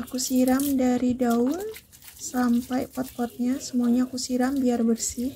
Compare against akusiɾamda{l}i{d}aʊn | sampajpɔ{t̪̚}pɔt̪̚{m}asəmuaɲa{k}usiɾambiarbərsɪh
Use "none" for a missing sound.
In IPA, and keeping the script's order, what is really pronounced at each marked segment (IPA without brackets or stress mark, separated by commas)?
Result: ɾ, d, t̪̚, ɲ, k